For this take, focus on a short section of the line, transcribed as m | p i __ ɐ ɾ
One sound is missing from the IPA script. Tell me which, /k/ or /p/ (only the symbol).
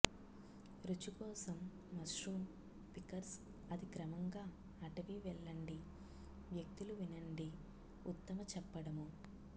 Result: k